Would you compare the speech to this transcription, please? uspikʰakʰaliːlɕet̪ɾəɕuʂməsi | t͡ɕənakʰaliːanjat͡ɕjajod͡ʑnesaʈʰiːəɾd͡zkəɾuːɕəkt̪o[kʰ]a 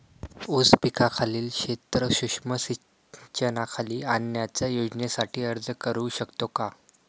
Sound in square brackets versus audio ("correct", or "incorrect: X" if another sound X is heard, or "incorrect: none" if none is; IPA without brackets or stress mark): incorrect: k